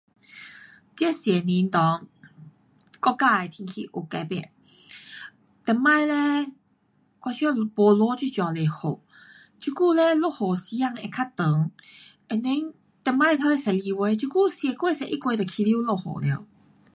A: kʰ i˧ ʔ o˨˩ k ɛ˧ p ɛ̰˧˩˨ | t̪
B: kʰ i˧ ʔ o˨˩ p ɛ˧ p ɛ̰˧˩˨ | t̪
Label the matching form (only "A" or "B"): A